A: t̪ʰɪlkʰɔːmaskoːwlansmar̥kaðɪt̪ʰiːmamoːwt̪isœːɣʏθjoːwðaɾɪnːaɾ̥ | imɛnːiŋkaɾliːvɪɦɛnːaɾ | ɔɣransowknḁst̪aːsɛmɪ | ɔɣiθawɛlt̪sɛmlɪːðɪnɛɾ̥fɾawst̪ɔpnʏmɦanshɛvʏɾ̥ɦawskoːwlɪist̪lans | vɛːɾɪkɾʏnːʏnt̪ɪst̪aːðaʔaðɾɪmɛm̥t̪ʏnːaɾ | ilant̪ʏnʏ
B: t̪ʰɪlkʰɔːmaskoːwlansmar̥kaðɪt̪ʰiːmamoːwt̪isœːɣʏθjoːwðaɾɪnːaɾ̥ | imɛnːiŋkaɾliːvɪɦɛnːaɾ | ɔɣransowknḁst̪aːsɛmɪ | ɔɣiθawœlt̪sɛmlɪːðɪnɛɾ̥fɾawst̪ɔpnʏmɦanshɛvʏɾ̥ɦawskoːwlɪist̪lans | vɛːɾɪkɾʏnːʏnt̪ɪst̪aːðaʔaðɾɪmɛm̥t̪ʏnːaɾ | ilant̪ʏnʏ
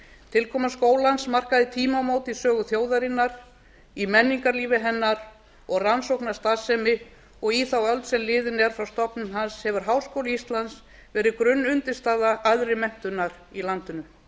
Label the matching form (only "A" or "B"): B